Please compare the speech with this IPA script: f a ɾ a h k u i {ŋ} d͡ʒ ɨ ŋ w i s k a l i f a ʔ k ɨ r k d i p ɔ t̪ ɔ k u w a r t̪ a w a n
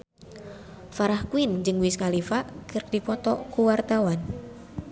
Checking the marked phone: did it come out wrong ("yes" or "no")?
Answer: yes